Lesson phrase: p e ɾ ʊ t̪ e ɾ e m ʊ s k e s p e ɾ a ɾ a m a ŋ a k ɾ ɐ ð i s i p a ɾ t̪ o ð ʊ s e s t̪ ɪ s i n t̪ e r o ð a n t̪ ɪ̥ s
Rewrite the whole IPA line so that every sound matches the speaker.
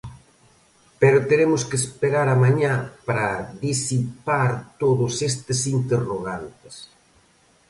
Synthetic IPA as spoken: p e ɾ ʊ t̪ e ɾ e m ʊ s k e s p e ɾ a ɾ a m a ɲ a p ɾ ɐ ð i s i p a ɾ t̪ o ð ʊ s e s t̪ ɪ s i n t̪ e r o ɣ a n t̪ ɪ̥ s

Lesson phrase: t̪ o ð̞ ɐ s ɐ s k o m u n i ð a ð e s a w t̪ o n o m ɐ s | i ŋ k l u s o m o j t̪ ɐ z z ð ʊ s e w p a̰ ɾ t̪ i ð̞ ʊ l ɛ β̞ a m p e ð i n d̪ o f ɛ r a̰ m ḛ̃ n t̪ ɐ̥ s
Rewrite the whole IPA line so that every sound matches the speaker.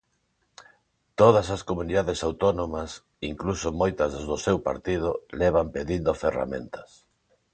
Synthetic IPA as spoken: t̪ o ð̞ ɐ s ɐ s k o m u n i ð a ð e s a w t̪ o n o m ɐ s | i ŋ k l u s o m o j t̪ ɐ z z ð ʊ s e w p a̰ ɾ t̪ i ð̞ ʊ l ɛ β̞ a m p e ð i n d̪ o f e r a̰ m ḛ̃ n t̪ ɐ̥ s

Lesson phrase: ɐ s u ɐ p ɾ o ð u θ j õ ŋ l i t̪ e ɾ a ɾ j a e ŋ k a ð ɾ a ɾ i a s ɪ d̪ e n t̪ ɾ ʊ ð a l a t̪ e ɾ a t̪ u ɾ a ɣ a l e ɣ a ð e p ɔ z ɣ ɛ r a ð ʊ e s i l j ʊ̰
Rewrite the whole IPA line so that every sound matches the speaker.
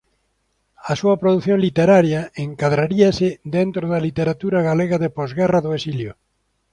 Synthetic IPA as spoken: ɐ s u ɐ p ɾ o ð u θ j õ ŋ l i t̪ e ɾ a ɾ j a e ŋ k a ð ɾ a ɾ i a s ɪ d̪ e n t̪ ɾ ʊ ð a l i t̪ e ɾ a t̪ u ɾ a ɣ a l e ɣ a ð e p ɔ z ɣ ɛ r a ð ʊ e s i l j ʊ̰

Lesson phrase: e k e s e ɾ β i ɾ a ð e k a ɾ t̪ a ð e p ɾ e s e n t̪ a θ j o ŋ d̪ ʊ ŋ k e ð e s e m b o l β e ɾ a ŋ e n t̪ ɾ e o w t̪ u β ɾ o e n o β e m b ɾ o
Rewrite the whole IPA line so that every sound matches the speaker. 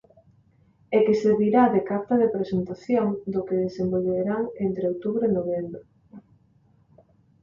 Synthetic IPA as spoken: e k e s e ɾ β i ɾ a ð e k a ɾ t̪ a ð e p ɾ e s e n t̪ a θ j o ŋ d̪ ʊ k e ð e s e m b o l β e ɾ a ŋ e n t̪ ɾ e o w t̪ u β ɾ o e n o β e m b ɾ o

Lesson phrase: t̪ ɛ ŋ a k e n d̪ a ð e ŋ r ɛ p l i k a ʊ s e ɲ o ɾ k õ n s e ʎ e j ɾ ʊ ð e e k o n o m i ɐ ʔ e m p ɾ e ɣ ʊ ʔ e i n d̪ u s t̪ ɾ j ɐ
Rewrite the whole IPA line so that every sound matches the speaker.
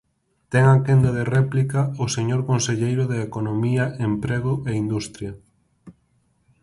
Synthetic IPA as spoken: t̪ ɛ ŋ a k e n d̪ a ð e r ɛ p l i k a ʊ s e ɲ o ɾ k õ n s e ʎ e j ɾ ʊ ð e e k o n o m i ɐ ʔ e m p ɾ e ɣ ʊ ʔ e i n d̪ u s t̪ ɾ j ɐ

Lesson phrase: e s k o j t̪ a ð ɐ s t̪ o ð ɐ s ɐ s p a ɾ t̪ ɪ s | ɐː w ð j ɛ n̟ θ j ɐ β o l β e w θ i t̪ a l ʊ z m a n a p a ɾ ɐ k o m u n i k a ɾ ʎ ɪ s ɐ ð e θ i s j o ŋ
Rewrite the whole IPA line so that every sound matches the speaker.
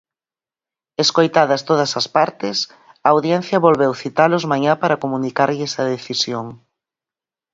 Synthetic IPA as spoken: e s k o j t̪ a ð ɐ s t̪ o ð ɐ s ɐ s p a ɾ t̪ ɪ s | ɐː w ð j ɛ n̟ θ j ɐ β o l β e w θ i t̪ a l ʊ z m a ɲ a p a ɾ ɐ k o m u n i k a ɾ ʎ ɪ s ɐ ð e θ i s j o ŋ

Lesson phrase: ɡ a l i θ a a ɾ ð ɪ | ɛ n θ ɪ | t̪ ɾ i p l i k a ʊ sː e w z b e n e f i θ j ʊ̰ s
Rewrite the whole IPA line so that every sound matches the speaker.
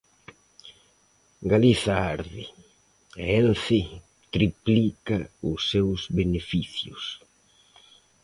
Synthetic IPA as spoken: ɡ a l i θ a a ɾ ð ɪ | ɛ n θ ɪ | t̪ ɾ i p l i k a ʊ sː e w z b e n e f i θ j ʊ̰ s

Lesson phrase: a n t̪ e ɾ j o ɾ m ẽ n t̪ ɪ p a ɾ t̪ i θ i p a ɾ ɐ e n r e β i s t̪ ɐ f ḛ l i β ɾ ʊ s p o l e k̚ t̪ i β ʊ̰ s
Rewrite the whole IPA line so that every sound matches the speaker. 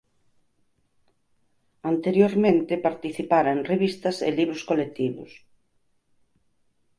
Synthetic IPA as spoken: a n t̪ e ɾ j o ɾ m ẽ n t̪ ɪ p a ɾ t̪ i θ i p a ɾ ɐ e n r e β i s t̪ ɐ s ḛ l i β ɾ ʊ s k o l e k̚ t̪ i β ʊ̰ s

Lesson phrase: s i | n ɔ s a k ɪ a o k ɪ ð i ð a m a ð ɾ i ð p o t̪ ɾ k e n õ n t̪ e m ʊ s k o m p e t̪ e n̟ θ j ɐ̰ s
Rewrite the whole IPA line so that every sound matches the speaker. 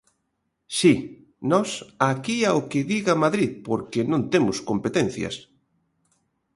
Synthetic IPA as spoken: s i | n ɔ s a k i a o k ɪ ð i ɣ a m a ð ɾ i ð p o ɾ k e n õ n t̪ e m ʊ s k o m p e t̪ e n̟ θ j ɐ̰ s

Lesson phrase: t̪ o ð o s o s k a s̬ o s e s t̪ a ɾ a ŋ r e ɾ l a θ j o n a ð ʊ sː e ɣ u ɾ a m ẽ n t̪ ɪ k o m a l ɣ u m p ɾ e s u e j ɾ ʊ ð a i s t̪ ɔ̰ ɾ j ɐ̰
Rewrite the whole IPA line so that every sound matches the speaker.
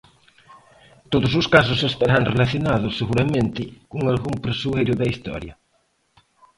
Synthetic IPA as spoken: t̪ o ð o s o s k a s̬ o s e s t̪ a ɾ a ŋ r e l a θ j o n a ð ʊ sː e ɣ u ɾ a m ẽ n t̪ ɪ k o ŋ a l ɣ u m p ɾ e s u e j ɾ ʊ ð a i s t̪ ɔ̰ ɾ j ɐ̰

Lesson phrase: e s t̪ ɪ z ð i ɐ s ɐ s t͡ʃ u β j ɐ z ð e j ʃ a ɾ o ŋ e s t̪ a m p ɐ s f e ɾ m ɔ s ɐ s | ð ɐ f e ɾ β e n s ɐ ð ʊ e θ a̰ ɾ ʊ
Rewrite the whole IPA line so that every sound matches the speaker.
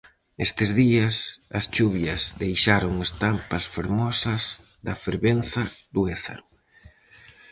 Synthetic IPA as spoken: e s t̪ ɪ z ð i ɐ s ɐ s t͡ʃ u β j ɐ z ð e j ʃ a ɾ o ŋ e s t̪ a m p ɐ s f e ɾ m ɔ s ɐ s | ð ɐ f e ɾ β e n θ ɐ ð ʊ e θ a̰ ɾ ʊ

